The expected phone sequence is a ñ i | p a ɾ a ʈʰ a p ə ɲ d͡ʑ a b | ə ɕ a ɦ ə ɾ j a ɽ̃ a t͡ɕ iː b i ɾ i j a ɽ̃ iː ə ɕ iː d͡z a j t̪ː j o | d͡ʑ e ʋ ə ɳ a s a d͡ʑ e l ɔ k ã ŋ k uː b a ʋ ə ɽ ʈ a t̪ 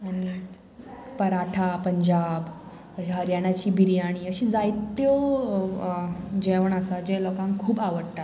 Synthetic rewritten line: a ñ i | p ə ɾ a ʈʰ a p ə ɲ d͡ʑ a b | ə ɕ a ɦ ə ɾ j a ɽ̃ a t͡ɕ iː b i ɾ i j a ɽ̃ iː ə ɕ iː d͡z a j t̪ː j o | d͡ʑ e ʋ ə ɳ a s a d͡ʑ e l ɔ k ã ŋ kʰ uː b a ʋ ə ɽ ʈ a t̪